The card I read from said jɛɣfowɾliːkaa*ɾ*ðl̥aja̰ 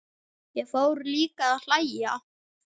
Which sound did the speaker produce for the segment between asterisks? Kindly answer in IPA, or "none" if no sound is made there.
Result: none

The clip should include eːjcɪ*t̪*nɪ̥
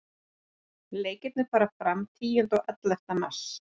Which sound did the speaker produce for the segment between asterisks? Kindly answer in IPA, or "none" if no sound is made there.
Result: t̪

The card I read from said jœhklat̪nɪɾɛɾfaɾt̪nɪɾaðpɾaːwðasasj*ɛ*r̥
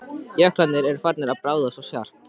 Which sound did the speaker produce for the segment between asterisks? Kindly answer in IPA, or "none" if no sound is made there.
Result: a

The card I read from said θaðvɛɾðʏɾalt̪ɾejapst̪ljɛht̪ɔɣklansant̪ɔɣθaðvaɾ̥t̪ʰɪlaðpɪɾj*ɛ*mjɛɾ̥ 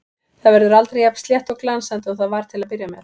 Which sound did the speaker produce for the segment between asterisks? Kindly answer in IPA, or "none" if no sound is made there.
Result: a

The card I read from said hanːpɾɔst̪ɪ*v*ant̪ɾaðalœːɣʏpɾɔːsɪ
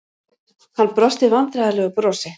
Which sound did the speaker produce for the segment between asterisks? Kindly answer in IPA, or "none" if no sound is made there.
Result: v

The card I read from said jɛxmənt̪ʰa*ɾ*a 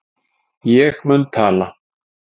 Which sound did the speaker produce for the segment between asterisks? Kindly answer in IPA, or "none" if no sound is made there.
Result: l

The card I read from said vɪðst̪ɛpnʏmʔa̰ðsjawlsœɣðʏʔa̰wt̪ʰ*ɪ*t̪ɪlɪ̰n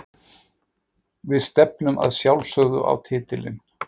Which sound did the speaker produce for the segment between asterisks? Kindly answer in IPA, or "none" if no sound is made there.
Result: ɪː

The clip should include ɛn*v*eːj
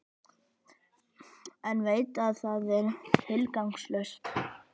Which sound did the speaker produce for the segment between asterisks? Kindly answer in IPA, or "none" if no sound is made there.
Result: v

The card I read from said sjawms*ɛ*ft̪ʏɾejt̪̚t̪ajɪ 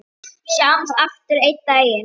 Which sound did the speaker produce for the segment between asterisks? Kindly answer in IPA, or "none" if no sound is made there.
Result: a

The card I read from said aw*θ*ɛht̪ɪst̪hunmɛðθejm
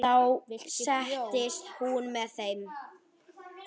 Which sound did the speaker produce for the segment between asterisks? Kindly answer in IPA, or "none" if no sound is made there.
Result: s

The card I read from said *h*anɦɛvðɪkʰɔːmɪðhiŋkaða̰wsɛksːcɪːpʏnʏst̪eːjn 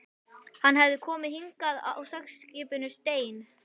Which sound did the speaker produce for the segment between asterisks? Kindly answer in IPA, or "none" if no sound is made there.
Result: h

